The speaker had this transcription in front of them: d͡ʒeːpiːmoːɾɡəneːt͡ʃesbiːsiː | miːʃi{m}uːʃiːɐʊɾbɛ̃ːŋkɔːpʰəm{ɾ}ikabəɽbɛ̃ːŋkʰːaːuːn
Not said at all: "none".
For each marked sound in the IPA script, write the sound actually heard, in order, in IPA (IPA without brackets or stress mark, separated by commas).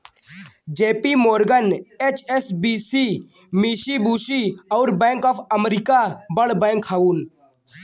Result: b, ɾ